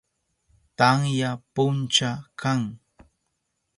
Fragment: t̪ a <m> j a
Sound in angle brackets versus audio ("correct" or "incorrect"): incorrect